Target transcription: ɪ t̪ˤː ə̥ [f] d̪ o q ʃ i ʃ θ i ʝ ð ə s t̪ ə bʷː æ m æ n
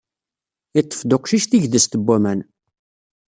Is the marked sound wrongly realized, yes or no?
no